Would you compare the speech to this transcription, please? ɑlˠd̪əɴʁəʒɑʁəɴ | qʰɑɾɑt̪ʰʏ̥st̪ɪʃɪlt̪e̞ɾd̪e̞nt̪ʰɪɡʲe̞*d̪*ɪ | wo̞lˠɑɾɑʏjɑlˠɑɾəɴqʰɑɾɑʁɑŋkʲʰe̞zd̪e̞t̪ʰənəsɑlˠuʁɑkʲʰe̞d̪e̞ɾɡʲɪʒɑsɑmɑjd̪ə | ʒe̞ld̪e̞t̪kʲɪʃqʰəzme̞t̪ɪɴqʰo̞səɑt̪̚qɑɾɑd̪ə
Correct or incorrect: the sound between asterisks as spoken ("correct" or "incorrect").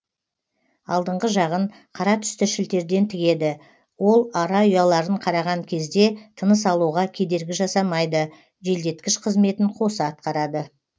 correct